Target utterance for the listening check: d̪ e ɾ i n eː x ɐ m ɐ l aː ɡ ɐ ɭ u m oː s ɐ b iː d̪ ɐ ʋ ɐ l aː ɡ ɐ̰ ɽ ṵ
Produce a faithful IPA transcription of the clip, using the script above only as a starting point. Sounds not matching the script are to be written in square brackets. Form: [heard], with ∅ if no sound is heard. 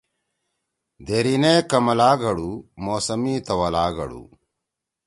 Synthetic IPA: d̪ e ɾ i n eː [k] ɐ m ɐ l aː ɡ ɐ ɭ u m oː s ɐ [m] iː [t̪] ɐ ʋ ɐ l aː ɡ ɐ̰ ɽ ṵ